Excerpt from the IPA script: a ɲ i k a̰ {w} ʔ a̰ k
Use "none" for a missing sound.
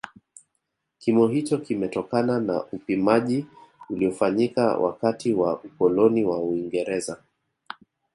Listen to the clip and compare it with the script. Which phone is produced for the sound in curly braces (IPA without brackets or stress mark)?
w